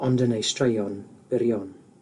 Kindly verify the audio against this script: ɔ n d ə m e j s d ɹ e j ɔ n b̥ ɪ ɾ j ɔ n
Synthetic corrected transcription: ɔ n d ə n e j s t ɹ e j ɔ n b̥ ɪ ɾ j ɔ n

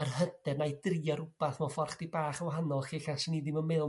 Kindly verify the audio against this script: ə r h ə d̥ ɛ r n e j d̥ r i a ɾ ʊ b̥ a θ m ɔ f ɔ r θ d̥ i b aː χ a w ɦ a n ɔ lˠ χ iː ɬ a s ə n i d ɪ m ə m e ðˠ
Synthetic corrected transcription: ə r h ə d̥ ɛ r n a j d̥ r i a ɾ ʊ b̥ a θ m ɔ f ɔ r χ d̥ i b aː χ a w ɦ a n ɔ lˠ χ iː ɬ a s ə n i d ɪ m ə m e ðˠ

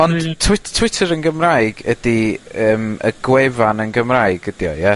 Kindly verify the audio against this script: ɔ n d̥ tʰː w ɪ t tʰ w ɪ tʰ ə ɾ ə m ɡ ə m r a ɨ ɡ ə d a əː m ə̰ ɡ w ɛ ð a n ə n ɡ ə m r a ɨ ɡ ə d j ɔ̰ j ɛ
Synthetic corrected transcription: ɔ n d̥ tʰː w ɪ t tʰ w ɪ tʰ ə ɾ ə n ɡ ə m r a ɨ ɡ ə d i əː m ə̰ ɡ w ɛ v a n ə n ɡ ə m r a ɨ ɡ ə d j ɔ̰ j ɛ

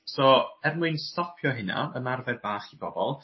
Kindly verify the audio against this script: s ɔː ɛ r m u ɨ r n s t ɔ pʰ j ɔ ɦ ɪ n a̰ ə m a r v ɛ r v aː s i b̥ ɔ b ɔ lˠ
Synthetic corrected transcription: s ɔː ɛ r m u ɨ n s t ɔ pʰ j ɔ ɦ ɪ n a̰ ə m a r v ɛ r b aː χ i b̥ ɔ b ɔ lˠ

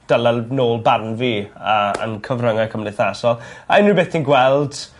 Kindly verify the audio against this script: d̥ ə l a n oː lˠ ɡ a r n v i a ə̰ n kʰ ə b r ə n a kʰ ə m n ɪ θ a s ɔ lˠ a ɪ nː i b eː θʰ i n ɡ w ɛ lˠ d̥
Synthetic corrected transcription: d̥ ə l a n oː lˠ b a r n v i a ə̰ n kʰ ə v r ə ŋ a kʰ ə m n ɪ θ a s ɔ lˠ a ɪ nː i b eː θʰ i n ɡ w ɛ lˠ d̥

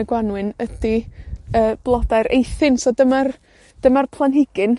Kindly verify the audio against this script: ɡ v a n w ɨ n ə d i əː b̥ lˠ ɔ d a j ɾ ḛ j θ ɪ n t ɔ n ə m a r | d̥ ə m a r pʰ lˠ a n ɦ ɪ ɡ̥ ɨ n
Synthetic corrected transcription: ɡ w a n w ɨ n ə d i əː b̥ lˠ ɔ d a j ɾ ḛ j θ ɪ n s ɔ d ə m a r | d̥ ə m a r pʰ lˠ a n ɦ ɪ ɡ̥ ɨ n

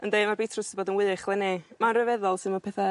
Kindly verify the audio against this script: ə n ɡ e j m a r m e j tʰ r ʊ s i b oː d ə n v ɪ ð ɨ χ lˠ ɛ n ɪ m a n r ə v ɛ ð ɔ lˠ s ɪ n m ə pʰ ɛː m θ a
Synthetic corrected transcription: ə n d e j m a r b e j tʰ r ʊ s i b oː d ə n w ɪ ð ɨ χ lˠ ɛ n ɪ m a n r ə v ɛ ð ɔ lˠ s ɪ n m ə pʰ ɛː θ a

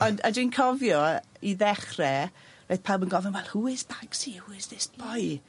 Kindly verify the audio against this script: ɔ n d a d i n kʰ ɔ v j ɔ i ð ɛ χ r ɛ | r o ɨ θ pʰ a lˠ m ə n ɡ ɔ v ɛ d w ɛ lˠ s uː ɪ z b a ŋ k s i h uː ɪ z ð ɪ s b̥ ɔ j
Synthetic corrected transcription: ɔ n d a d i n kʰ ɔ v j ɔ i ð ɛ χ r ɛ | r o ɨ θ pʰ a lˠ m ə n ɡ ɔ v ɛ n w ɛ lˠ h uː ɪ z b a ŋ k s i h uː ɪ z ð ɪ s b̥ ɔ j

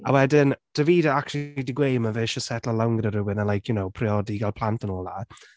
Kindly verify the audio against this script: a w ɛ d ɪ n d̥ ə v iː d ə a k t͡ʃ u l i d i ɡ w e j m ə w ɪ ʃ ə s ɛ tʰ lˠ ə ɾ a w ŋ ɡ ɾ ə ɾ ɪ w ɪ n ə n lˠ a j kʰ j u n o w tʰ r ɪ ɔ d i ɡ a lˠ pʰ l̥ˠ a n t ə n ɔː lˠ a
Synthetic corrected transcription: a w ɛ d ɪ n d̥ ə v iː d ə a k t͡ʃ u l i d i ɡ w e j m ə v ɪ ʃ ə s ɛ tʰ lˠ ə l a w ŋ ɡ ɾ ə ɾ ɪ w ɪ n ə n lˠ a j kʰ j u n o w pʰ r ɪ ɔ d i ɡ a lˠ pʰ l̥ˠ a n t ə n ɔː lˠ a

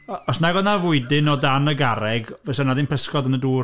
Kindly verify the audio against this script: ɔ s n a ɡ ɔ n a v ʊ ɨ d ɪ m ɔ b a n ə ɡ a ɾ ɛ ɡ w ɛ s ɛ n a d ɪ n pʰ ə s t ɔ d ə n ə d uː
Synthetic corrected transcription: ɔ s n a ɡ ɔ n a v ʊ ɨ d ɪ n ɔ d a n ə ɡ a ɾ ɛ ɡ v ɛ s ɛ n a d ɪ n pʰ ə s k ɔ d ə n ə d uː

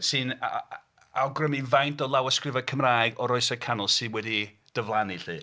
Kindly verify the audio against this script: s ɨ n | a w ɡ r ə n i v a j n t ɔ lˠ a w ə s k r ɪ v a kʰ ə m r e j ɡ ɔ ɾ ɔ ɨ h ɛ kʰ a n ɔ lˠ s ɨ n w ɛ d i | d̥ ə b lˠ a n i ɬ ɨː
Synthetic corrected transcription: s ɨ n | a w ɡ r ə m i v a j n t ɔ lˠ a w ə s k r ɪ v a kʰ ə m r a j ɡ ɔ ɾ ɔ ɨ s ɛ kʰ a n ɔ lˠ s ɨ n w ɛ d i | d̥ ə v lˠ a n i ɬ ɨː

